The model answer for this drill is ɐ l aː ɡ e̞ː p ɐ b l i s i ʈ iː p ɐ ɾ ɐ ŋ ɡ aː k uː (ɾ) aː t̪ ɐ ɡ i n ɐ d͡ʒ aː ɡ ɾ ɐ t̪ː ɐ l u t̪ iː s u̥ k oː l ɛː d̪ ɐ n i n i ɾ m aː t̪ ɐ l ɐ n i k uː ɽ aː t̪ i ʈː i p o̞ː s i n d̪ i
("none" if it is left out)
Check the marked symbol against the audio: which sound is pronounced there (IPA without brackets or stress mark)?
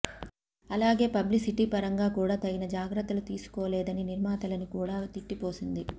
ɽ